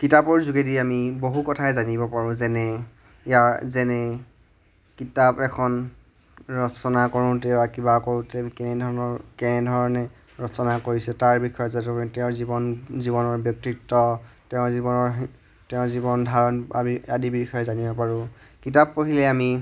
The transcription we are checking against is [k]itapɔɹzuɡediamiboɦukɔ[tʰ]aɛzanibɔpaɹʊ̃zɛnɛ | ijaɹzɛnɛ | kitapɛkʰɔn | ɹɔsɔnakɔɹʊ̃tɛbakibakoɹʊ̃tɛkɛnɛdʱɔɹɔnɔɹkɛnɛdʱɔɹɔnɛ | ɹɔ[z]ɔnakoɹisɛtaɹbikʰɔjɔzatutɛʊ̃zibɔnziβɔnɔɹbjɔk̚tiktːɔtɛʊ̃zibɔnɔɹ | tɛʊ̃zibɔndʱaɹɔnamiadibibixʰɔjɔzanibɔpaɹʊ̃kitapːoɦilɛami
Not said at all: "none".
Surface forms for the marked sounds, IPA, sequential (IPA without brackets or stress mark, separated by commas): k, tʰ, s